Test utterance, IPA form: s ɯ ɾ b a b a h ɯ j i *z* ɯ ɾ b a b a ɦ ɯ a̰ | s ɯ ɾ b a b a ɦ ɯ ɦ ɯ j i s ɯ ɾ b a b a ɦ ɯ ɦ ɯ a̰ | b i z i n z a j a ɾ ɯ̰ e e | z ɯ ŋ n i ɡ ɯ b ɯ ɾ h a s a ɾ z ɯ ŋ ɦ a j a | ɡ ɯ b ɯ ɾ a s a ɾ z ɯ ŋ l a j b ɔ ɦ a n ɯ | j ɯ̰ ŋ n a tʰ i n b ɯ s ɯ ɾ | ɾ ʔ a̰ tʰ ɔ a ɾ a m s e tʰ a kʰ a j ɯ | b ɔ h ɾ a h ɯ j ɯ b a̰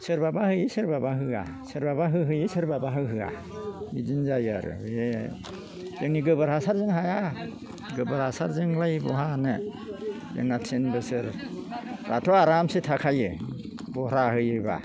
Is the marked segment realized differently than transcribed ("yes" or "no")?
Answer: yes